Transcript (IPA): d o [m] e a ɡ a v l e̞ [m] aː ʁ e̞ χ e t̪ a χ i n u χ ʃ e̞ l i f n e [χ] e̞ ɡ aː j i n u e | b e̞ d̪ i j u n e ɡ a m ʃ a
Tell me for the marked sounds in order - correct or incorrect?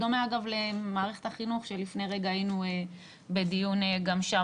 correct, correct, incorrect

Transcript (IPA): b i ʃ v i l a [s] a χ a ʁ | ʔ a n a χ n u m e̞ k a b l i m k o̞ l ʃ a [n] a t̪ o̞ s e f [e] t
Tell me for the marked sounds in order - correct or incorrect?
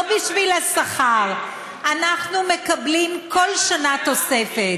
correct, correct, correct

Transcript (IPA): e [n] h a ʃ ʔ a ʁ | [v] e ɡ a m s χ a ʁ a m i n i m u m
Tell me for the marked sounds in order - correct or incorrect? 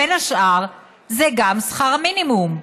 correct, incorrect

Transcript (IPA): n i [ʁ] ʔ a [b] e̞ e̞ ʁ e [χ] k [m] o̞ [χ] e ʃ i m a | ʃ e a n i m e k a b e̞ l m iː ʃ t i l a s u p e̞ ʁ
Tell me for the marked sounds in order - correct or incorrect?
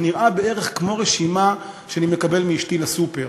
correct, correct, correct, correct, incorrect

